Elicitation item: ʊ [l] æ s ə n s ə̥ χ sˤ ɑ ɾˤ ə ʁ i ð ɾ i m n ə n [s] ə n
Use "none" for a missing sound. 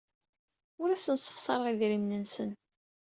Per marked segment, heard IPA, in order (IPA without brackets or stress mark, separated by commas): ɾ, s